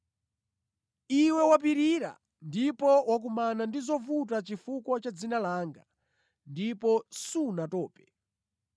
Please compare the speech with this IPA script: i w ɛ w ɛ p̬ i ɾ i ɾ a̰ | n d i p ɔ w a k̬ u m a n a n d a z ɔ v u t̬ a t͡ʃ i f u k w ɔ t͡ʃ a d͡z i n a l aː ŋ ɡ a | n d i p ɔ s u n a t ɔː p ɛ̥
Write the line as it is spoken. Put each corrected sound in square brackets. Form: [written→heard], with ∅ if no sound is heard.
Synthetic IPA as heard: i w ɛ w [ɛ→a] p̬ i ɾ i ɾ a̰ | n d i p ɔ w a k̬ u m a n a n d [a→i] z ɔ v u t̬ a t͡ʃ i f u k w ɔ t͡ʃ a d͡z i n a l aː ŋ ɡ a | n d i p ɔ s u n a t ɔː p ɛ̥